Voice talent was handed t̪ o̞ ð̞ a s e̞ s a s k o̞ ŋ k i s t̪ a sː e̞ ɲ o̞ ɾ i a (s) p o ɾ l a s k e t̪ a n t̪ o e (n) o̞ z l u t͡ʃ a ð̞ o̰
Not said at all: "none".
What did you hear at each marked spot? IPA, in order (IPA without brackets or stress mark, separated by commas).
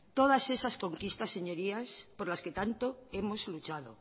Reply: s, m